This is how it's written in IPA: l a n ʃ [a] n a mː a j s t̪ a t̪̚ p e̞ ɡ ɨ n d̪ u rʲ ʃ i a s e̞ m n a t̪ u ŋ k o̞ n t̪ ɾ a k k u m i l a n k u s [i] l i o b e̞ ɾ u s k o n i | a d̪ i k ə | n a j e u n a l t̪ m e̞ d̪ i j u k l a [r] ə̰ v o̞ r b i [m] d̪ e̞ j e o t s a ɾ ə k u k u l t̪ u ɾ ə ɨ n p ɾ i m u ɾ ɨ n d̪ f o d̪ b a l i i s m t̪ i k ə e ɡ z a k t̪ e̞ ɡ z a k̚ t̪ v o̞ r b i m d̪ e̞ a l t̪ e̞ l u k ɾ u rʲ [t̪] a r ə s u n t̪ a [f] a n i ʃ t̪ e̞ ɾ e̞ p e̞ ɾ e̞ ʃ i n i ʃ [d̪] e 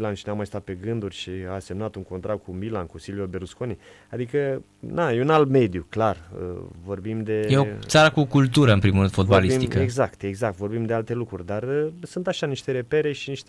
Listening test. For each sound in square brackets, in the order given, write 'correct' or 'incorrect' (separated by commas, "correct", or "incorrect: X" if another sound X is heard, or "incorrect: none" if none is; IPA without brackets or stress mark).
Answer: incorrect: i, correct, correct, correct, incorrect: d̪, incorrect: ʃ, incorrect: t̪